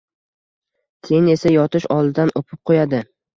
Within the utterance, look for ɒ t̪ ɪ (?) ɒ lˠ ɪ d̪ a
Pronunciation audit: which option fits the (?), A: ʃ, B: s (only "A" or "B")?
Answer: A